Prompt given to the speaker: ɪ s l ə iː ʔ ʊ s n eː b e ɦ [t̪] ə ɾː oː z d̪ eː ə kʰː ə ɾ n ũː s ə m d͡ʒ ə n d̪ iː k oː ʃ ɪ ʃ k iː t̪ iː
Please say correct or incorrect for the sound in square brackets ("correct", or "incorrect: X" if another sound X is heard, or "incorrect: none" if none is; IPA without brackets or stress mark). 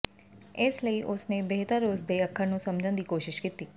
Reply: correct